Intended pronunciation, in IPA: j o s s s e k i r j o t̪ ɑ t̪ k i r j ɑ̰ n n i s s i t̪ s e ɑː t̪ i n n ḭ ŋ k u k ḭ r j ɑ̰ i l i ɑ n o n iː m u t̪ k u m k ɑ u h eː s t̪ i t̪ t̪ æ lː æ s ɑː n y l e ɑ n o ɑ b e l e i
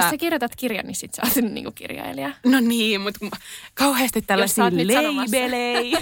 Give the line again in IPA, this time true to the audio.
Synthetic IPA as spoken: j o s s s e k i r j o t̪ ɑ t̪ k i r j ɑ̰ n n i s s i t̪ s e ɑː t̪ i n n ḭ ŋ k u k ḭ r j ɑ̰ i l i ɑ n o n iː m u t̪ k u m k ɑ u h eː s t̪ i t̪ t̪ æ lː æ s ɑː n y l e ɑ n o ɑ b e l e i